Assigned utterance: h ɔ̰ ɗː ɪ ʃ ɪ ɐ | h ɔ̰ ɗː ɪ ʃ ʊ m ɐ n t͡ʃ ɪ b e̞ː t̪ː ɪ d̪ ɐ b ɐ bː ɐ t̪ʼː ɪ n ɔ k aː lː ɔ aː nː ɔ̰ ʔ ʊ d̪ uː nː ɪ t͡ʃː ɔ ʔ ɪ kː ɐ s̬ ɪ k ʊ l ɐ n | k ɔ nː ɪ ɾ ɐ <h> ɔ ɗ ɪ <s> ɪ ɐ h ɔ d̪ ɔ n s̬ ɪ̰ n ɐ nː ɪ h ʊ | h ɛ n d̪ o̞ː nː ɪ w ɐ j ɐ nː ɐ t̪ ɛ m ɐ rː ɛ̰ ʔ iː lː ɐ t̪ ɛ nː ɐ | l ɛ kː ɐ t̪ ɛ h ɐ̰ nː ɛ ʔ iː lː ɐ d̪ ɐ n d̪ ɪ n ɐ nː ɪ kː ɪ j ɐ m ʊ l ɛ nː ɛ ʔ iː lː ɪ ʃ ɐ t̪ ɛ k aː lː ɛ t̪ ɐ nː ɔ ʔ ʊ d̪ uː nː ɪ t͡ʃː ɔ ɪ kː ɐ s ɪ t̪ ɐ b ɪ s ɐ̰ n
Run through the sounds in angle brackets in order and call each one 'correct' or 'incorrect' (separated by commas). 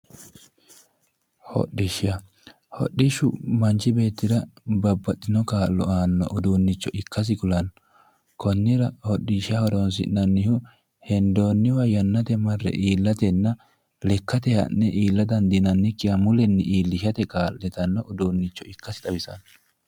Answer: correct, incorrect